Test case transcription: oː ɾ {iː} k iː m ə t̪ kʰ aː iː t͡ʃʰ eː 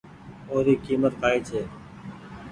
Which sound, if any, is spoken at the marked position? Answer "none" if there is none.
iː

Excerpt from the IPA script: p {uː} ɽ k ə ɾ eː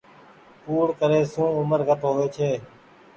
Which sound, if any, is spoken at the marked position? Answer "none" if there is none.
uː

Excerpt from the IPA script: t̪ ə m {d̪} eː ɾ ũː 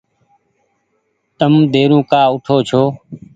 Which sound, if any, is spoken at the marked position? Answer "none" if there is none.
d̪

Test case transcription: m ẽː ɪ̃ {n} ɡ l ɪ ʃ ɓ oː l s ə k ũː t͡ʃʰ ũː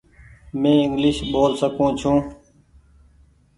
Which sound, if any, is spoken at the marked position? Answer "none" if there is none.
ŋ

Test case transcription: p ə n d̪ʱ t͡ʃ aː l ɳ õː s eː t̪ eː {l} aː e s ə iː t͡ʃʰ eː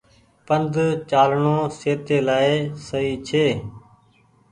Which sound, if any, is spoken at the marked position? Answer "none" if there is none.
l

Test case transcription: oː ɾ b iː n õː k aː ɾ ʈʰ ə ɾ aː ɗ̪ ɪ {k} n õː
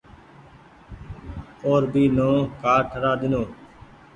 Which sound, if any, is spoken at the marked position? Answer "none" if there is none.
none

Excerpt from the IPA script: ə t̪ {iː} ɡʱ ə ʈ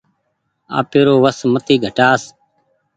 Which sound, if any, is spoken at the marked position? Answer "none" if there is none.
iː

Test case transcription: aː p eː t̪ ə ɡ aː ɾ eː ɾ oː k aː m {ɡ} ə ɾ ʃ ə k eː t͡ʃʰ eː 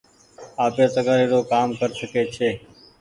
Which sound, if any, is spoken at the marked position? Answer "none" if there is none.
k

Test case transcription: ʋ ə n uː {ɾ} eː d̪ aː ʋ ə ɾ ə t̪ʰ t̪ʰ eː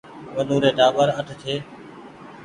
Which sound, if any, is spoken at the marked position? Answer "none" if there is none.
ɾ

